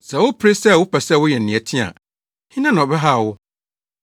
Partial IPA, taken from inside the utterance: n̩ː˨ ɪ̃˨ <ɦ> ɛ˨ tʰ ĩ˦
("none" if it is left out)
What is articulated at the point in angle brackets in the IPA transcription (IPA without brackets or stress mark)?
none